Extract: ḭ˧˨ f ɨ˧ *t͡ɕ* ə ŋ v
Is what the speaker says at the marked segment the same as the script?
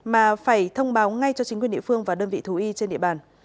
no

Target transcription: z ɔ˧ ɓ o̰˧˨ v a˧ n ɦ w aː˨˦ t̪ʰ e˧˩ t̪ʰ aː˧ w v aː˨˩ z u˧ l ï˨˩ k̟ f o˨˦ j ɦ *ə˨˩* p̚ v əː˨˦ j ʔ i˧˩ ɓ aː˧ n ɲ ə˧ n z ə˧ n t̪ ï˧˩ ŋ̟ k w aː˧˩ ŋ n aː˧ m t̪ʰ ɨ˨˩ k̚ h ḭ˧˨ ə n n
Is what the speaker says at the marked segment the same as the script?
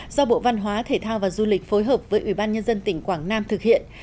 no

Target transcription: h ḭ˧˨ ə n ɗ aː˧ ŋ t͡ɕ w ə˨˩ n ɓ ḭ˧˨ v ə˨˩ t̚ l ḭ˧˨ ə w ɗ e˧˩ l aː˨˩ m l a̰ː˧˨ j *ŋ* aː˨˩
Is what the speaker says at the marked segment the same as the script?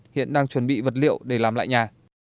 no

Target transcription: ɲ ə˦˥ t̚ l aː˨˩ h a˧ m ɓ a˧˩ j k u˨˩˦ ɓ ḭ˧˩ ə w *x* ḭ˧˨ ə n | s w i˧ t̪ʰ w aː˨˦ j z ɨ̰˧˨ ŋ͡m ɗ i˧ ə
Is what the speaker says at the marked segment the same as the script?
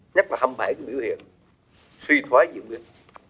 no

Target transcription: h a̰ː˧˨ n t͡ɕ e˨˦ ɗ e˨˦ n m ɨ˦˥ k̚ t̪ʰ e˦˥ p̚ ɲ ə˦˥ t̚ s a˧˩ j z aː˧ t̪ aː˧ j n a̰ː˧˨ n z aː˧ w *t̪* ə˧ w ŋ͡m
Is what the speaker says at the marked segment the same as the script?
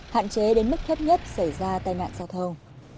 no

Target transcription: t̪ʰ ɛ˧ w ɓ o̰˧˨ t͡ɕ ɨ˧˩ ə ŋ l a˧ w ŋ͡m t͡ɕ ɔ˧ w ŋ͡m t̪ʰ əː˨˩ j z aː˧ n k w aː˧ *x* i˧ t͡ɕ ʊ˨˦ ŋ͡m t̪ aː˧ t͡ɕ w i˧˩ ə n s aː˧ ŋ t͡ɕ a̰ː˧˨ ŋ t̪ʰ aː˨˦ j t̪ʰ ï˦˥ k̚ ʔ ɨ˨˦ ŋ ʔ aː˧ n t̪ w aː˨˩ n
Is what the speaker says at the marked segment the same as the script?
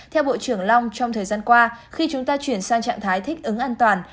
yes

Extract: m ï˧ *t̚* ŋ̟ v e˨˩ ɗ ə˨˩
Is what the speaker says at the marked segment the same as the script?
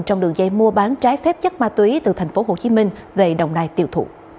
no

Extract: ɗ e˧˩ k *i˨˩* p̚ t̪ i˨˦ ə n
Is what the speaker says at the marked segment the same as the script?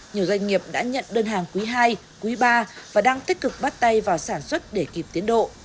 yes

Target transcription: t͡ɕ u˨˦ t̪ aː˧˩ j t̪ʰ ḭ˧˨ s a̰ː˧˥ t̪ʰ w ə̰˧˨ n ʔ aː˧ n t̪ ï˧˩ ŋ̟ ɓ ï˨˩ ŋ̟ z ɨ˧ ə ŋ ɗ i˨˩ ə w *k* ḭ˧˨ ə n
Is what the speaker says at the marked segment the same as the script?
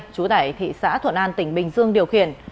no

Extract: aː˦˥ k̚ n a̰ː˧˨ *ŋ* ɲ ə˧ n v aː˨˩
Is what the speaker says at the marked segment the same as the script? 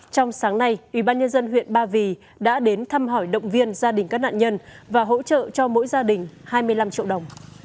no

